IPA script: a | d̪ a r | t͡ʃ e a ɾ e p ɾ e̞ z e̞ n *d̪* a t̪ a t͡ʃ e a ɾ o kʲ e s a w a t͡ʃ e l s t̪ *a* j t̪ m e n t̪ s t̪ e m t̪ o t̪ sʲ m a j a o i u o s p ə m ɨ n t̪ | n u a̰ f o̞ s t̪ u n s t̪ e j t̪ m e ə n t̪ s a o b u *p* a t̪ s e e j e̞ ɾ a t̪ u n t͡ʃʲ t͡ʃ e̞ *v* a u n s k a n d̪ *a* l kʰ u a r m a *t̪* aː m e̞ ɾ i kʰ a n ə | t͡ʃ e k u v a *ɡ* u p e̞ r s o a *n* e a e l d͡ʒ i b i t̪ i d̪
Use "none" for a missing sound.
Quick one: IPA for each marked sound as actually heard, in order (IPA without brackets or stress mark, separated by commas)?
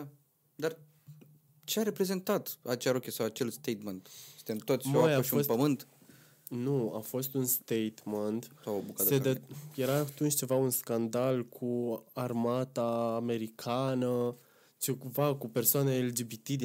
t̪, e, k, v, a, t̪, k, n